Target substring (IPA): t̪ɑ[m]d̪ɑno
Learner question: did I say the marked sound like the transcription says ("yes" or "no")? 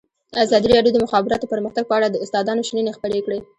no